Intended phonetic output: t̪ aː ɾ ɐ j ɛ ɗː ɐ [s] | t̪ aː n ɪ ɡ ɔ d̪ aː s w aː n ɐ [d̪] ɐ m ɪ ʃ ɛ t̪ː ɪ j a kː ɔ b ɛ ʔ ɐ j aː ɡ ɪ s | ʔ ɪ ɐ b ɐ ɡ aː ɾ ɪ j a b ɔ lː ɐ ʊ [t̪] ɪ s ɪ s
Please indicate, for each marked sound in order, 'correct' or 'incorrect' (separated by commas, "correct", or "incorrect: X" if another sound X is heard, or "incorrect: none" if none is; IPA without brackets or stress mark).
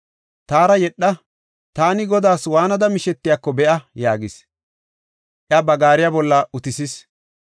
incorrect: none, correct, correct